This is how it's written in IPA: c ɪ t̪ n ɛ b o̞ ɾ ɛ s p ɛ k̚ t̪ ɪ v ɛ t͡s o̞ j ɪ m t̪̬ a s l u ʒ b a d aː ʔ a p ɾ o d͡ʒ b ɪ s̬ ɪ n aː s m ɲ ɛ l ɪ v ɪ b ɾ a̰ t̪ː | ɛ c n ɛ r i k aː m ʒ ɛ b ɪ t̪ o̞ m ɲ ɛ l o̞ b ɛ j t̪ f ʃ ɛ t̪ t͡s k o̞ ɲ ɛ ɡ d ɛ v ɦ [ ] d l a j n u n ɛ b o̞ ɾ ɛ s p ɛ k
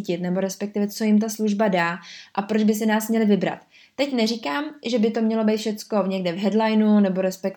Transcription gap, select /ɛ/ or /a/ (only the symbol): ɛ